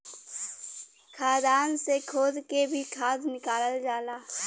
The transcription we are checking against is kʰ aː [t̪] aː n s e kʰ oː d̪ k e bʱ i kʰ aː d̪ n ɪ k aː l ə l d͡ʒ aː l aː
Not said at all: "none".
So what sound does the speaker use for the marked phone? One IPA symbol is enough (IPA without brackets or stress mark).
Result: d̪